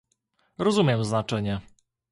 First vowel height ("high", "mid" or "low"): mid